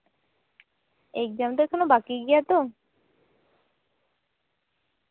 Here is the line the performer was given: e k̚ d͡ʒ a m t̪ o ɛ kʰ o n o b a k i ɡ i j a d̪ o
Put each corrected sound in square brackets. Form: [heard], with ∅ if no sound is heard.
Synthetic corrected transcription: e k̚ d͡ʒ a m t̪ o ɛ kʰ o n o b a k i ɡ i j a [t̪] o